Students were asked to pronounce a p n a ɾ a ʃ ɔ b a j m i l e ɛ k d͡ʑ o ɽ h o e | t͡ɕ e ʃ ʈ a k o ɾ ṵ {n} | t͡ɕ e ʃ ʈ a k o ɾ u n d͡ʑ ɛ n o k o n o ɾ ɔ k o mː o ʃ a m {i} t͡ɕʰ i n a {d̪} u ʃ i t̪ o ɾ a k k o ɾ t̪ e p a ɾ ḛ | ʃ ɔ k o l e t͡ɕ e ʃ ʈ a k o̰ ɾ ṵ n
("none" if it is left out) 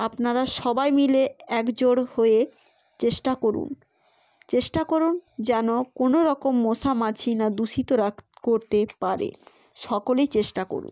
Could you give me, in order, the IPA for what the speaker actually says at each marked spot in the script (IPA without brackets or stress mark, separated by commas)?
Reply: n, a, d̪